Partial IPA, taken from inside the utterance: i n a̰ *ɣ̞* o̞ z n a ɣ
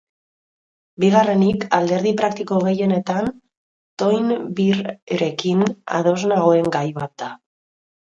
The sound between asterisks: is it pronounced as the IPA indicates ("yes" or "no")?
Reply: no